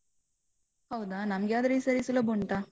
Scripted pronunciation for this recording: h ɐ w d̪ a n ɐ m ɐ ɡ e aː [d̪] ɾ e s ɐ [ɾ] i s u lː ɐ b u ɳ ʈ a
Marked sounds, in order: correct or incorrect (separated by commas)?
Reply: correct, correct